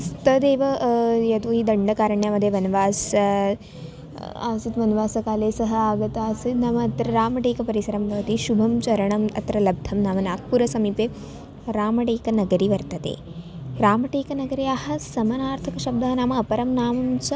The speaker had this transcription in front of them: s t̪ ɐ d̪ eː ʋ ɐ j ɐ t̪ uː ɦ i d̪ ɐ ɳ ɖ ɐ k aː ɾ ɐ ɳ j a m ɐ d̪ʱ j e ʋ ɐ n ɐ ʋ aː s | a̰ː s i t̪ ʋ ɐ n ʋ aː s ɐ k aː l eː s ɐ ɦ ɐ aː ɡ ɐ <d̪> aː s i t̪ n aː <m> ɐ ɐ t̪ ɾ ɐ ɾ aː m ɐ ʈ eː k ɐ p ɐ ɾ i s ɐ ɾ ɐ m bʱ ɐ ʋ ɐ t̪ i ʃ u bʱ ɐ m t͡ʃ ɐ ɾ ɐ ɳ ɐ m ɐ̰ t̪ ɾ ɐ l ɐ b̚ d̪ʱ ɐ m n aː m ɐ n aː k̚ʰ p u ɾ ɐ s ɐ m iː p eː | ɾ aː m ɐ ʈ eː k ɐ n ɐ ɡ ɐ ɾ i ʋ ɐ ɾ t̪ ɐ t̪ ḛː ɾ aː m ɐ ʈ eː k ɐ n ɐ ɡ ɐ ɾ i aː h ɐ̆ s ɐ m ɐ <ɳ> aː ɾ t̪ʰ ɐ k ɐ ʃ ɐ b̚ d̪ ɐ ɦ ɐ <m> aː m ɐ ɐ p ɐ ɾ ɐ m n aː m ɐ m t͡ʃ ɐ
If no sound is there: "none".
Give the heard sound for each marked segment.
t̪, m, n, n

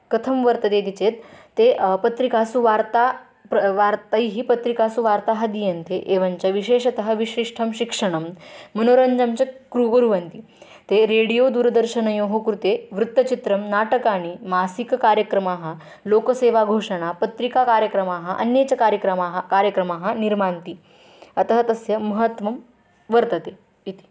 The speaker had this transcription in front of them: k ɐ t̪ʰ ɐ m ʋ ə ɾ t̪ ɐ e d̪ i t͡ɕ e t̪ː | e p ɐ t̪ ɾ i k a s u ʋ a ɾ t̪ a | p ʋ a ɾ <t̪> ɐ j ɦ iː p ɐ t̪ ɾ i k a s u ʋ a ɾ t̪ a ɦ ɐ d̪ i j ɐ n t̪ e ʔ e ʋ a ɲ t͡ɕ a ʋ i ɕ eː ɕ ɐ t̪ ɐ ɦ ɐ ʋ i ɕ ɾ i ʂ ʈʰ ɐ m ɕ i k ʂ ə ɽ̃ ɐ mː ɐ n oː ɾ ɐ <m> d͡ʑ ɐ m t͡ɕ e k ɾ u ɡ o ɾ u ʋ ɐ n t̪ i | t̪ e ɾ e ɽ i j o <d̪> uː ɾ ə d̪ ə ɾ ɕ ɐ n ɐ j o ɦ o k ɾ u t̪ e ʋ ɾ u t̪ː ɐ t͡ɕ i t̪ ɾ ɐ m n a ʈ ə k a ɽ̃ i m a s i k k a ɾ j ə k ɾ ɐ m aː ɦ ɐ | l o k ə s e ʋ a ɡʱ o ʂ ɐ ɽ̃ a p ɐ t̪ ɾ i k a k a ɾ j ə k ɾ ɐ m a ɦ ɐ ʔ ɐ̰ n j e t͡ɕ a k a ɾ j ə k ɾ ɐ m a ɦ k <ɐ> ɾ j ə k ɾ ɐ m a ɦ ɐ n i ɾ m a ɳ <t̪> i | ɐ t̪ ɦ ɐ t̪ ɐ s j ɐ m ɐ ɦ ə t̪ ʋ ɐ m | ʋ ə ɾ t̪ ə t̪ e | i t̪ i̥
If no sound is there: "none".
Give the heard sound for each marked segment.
t̪, ɲ, d̪, a, t̪

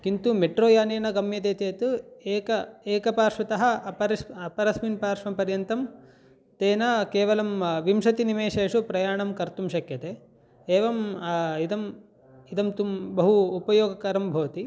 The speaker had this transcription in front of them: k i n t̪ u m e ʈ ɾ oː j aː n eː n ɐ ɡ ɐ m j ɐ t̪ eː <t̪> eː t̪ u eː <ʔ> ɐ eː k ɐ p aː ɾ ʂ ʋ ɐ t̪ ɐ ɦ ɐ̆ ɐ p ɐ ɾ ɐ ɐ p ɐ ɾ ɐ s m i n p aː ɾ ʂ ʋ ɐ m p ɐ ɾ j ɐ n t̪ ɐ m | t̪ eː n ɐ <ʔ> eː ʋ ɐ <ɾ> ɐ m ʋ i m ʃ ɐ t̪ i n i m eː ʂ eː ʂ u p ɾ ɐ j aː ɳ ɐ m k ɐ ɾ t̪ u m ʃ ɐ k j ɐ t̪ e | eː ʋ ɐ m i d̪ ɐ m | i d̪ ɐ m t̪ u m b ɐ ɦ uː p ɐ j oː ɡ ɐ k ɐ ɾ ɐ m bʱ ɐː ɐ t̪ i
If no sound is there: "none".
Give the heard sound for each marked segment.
t̪, k, k, l

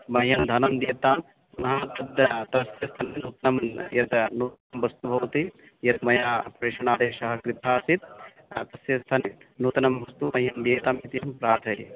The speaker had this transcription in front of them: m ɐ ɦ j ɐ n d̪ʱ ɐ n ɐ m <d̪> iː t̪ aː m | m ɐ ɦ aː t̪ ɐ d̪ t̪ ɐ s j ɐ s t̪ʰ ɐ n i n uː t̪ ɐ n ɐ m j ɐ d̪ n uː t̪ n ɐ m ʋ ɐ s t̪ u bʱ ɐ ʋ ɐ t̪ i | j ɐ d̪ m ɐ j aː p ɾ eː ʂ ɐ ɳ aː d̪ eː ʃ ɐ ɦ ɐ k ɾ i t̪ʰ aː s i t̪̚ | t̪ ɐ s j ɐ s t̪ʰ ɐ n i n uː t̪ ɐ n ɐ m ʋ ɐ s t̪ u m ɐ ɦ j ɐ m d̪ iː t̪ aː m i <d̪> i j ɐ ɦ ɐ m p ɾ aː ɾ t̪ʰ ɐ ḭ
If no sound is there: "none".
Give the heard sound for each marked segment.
d̪, t̪

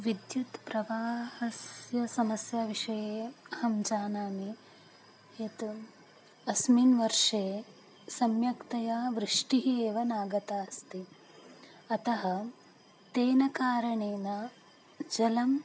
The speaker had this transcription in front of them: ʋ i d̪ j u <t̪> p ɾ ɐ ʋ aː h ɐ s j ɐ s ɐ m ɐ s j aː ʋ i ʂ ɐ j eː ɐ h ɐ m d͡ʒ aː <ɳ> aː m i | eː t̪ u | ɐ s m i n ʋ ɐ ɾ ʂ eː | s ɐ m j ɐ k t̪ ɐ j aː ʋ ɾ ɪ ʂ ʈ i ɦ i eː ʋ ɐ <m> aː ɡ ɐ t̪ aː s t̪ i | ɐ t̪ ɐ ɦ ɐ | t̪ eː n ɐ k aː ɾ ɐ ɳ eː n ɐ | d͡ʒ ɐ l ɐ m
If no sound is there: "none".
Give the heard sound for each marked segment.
t̪, n, n

